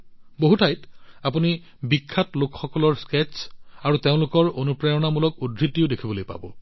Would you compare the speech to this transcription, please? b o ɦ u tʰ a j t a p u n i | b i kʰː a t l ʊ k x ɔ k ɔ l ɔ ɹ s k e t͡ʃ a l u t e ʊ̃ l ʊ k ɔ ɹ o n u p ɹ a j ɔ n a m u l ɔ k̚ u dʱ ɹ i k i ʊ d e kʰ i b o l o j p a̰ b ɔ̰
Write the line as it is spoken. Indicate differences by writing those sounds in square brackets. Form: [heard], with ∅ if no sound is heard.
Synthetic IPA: b o ɦ u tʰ a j t a p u n i | b i kʰː a t l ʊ k x ɔ k ɔ l ɔ ɹ s k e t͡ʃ a [ɹ] u t e ʊ̃ l ʊ k ɔ ɹ o n u p ɹ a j ɔ n a m u l ɔ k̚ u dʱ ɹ i [t] i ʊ d e kʰ i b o l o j p a̰ b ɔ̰